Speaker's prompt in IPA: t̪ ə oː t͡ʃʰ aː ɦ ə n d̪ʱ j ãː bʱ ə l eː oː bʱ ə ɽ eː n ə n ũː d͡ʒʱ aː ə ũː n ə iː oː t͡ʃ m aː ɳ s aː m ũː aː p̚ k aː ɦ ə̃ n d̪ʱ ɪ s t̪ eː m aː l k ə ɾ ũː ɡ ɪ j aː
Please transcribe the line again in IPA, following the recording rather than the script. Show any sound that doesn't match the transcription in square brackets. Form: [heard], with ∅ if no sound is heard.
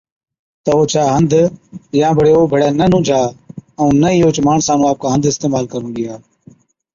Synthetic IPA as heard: t̪ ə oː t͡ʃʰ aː ɦ ə n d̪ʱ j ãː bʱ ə [ɽ] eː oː bʱ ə ɽ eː n ə n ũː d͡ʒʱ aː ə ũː n ə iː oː t͡ʃ m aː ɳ s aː [n] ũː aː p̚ k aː ɦ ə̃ n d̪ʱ ɪ s t̪ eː m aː l k ə ɾ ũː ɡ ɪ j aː